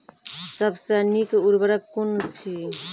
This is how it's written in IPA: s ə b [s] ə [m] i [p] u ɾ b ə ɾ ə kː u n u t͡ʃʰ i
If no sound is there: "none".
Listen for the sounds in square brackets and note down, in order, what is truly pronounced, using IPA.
s, n, k

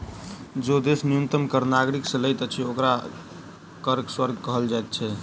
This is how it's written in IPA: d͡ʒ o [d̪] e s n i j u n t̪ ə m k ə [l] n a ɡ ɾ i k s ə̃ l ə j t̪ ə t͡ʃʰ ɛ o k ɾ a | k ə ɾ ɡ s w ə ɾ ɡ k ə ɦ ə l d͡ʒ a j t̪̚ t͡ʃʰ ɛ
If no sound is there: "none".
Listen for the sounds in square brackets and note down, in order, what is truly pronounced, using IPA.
d̪, ɾ

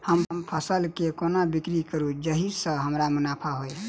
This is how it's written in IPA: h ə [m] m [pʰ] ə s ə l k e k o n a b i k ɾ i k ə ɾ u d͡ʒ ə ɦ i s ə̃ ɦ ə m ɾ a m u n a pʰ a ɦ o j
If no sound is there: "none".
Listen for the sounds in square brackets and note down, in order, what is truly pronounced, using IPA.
m, pʰ

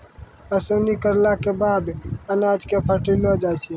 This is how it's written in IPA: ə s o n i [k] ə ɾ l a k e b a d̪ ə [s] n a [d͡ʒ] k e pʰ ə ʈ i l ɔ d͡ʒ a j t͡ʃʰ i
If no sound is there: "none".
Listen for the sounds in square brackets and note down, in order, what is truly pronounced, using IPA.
k, none, d͡ʒ

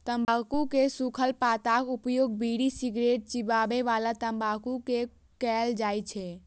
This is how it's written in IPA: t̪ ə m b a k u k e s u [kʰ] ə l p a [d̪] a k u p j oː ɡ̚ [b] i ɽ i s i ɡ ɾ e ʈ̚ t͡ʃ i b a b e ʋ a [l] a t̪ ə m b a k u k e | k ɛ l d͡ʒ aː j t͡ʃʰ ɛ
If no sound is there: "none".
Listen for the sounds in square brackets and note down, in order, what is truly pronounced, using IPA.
kʰ, t̪, b, l

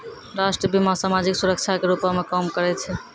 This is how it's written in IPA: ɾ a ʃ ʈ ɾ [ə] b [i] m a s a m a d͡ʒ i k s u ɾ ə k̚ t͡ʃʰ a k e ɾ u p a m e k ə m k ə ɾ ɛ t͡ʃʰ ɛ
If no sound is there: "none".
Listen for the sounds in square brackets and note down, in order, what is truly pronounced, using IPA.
ə, i

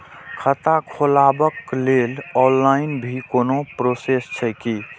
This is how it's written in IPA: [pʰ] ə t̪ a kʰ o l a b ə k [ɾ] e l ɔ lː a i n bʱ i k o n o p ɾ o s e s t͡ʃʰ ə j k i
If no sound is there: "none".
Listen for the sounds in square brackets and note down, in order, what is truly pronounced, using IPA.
kʰ, l

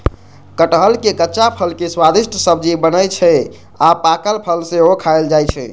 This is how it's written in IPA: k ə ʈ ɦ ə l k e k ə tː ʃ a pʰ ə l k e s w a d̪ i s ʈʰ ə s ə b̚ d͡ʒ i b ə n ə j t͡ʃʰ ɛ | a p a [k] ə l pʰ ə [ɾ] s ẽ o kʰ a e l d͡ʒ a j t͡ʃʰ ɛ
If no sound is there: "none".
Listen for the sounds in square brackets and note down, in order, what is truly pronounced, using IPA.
k, l

